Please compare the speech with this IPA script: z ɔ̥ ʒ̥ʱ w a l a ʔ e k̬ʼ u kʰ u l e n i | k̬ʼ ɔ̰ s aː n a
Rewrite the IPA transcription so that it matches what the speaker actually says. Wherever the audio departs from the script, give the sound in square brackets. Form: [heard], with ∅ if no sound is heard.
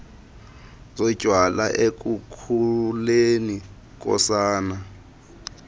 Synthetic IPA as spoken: z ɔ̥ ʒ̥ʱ w a l a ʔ e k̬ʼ u kʰ u l e n i | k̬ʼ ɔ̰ s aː n a